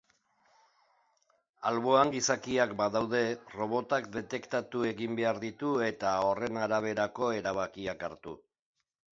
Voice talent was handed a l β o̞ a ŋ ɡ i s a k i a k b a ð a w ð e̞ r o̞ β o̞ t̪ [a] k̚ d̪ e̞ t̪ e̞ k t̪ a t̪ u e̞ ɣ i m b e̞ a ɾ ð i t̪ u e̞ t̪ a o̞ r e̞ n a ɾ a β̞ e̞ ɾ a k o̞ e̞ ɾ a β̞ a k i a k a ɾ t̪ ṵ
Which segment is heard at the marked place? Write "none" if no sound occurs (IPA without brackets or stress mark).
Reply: a